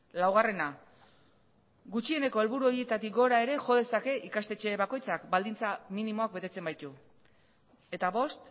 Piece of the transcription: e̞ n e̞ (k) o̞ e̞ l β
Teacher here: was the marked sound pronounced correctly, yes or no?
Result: yes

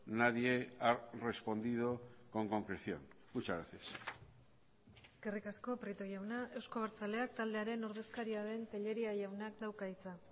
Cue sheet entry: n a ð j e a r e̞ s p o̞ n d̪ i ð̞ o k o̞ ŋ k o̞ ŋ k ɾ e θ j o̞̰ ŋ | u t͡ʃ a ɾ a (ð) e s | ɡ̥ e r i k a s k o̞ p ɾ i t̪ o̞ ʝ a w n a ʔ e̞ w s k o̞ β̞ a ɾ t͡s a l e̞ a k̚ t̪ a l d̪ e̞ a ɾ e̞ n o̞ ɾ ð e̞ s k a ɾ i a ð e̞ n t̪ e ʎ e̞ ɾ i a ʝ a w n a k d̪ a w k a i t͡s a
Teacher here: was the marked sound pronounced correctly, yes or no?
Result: no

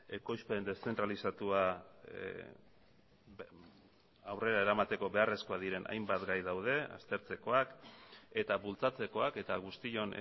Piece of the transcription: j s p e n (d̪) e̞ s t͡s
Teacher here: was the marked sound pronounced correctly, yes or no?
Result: yes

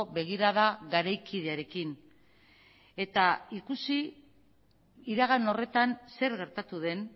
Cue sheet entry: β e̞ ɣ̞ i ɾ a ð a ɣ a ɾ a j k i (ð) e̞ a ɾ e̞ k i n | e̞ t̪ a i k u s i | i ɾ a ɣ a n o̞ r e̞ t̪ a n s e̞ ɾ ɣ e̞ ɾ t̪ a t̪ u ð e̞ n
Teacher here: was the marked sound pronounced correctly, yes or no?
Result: yes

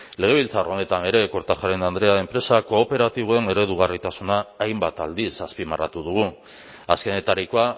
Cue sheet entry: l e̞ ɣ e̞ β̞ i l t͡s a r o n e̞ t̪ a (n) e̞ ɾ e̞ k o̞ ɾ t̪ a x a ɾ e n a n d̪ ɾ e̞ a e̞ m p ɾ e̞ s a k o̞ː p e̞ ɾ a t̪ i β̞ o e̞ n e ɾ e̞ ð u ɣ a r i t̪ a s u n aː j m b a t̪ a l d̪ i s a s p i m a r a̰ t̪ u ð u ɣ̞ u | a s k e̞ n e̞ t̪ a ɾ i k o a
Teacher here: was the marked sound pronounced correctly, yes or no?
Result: yes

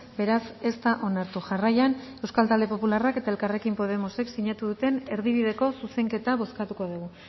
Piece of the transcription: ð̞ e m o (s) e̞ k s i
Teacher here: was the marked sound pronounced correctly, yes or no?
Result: yes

